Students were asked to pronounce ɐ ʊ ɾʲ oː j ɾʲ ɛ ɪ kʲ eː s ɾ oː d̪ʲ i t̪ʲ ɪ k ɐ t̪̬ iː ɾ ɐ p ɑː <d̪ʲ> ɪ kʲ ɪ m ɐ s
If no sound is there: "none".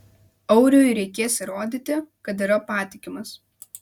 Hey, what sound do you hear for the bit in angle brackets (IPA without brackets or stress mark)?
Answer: t̪ʲ